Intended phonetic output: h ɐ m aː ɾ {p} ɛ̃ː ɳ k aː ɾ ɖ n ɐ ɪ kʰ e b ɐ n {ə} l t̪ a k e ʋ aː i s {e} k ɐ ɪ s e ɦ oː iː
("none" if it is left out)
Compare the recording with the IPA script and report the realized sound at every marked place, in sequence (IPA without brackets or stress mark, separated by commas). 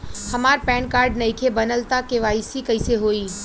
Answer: p, ə, i